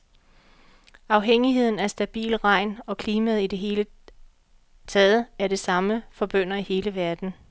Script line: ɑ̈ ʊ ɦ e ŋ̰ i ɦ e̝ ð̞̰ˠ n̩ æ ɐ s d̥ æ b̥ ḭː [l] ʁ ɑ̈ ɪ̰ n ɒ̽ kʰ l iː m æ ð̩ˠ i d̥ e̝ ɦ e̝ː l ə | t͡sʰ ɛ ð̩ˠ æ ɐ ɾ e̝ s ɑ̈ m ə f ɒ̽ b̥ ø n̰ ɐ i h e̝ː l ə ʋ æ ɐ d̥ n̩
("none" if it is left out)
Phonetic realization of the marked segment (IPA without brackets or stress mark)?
l